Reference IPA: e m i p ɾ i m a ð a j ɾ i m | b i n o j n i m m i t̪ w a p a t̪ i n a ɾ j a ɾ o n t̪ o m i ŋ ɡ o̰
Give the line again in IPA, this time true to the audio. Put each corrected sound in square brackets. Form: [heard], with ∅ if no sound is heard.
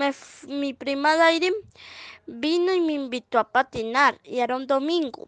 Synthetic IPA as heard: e m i p ɾ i m a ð a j ɾ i m | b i n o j [m] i m [b] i t̪ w a p a t̪ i n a ɾ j a ɾ o n [d̪] o m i ŋ ɡ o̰